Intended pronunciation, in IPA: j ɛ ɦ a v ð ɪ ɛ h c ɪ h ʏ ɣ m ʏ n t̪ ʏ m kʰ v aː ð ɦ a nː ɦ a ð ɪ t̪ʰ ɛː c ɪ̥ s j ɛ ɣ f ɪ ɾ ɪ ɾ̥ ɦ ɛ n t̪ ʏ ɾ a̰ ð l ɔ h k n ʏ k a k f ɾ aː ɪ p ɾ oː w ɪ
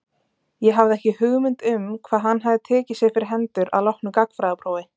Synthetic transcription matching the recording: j ɛ ɦ a v ð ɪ ɛ h c ɪ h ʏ ɣ m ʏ n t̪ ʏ m kʰ v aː ð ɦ a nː ɦ a ð ɪ t̪ʰ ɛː c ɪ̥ s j ɛ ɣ f ɪ ɾ ɪ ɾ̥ ɦ ɛ n t̪ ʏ ɾ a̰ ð l ɔ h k n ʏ k a k f ɾ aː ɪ p ɾ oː w ɪ